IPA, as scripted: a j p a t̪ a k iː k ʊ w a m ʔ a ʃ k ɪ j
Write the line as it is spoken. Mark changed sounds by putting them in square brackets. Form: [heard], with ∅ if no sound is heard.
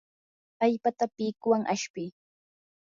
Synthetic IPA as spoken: a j p a t̪ a [p] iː k ʊ w a [ŋ] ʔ a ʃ [p] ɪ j